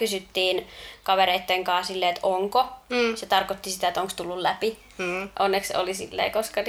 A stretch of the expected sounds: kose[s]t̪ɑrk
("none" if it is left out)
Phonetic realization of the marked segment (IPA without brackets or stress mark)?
none